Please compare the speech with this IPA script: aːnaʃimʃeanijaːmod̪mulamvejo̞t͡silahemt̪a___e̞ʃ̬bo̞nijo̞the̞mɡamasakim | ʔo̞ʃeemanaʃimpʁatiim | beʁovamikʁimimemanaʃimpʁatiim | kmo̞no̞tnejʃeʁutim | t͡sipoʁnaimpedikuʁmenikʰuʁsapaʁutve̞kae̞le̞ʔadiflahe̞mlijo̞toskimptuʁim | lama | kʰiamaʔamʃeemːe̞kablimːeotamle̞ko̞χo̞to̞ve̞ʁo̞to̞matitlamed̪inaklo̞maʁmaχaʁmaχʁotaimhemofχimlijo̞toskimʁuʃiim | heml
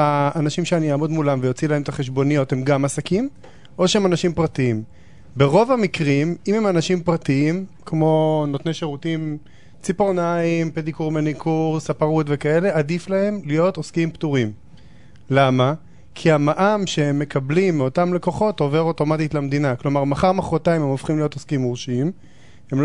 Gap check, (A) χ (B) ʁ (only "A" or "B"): A